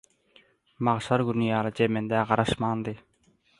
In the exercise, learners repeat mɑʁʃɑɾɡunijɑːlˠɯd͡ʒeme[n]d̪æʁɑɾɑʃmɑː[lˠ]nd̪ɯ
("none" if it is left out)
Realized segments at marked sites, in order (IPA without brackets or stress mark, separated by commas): n, none